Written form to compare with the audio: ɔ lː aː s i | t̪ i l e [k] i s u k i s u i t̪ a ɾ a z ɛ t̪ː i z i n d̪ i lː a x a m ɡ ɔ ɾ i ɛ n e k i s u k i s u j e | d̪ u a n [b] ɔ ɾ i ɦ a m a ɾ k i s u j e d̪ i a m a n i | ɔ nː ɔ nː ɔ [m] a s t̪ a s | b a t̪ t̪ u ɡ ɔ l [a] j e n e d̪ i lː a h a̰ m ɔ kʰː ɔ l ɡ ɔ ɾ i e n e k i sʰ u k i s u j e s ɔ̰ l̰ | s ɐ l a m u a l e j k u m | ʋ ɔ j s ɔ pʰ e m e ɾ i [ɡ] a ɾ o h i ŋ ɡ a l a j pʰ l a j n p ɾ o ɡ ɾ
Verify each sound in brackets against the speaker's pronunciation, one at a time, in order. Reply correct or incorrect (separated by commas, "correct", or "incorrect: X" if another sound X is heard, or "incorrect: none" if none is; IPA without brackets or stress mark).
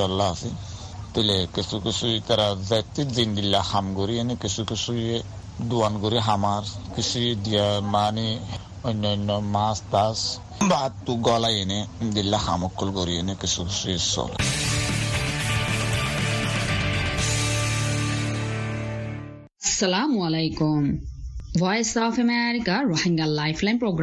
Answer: correct, incorrect: ɡ, correct, correct, incorrect: k